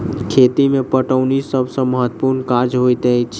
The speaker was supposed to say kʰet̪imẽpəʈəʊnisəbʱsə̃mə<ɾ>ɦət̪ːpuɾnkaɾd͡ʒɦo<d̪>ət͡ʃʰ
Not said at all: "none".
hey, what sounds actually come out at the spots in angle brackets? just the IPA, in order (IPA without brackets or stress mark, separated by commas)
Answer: none, t̪